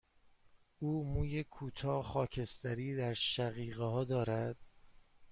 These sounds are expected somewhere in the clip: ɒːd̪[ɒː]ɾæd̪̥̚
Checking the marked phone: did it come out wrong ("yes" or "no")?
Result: no